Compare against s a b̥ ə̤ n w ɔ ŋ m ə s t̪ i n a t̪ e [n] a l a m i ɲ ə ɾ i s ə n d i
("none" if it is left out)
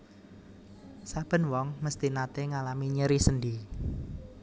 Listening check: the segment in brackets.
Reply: ŋ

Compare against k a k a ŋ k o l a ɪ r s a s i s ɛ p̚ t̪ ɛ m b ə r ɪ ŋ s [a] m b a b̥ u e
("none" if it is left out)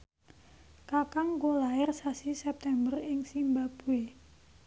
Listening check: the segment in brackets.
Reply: i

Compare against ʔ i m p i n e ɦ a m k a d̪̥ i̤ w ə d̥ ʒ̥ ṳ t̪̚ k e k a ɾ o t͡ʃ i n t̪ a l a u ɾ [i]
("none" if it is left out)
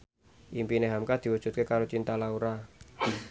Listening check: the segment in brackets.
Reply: a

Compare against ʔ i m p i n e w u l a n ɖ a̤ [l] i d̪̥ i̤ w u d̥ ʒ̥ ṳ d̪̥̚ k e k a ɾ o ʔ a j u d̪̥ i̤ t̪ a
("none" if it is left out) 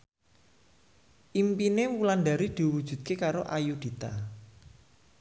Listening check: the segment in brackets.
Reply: ɾ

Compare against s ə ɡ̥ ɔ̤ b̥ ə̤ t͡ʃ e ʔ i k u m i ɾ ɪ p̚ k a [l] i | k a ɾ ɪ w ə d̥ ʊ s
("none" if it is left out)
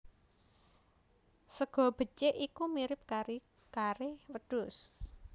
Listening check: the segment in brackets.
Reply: ɾ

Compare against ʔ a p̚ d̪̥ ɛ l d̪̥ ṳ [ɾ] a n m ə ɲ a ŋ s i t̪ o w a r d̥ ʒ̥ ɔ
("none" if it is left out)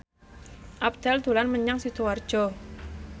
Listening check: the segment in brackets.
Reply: l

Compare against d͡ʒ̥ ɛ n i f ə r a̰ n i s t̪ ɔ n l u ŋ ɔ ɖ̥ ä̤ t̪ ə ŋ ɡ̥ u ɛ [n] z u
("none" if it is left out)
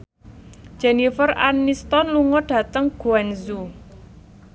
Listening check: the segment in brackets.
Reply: n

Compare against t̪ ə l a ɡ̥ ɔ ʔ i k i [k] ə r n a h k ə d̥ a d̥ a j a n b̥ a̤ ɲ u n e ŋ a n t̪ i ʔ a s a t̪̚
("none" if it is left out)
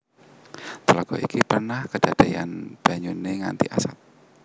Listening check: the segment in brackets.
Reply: p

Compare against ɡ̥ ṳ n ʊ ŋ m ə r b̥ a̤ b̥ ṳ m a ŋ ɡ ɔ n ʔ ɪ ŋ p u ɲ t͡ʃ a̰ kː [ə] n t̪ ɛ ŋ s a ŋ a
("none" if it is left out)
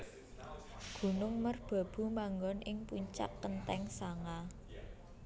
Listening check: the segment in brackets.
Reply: ə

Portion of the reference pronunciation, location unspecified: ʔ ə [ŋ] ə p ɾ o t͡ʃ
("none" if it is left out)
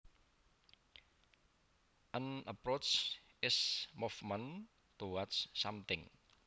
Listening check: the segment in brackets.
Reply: n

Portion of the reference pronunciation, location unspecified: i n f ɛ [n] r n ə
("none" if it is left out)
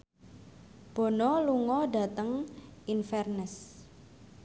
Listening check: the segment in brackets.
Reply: none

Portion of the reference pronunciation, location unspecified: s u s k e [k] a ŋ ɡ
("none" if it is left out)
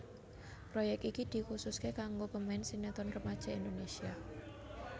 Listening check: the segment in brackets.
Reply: k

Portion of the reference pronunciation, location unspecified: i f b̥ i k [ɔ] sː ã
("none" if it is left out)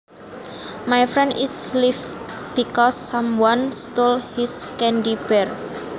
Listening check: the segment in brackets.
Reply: ɔ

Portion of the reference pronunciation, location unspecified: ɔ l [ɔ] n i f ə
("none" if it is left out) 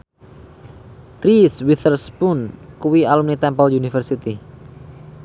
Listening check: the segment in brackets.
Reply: u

